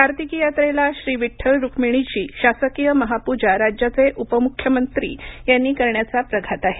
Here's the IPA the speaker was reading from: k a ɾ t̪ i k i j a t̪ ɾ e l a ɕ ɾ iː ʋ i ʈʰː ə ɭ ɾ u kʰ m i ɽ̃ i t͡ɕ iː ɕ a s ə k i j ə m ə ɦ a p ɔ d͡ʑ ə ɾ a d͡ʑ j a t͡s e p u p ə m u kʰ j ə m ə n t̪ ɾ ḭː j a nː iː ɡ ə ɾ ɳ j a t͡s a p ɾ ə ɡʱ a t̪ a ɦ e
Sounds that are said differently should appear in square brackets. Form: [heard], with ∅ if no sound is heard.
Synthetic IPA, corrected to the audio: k a ɾ t̪ i k i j a t̪ ɾ e l a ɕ ɾ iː ʋ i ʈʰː ə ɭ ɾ u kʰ m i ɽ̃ i t͡ɕ iː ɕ a s ə k i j ə m ə ɦ a p [u] d͡ʑ [a] ɾ a d͡ʑ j a t͡s e [ʔ] u p ə m u kʰ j ə m ə n t̪ ɾ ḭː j a nː iː [k] ə ɾ ɳ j a t͡s a p ɾ ə ɡʱ a t̪ a ɦ e